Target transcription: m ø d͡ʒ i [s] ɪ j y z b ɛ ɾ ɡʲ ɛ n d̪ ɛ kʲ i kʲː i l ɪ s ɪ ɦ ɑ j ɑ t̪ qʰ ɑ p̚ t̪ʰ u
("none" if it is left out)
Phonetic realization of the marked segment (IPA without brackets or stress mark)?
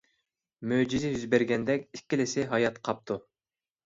z